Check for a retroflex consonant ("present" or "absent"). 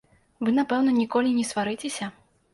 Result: absent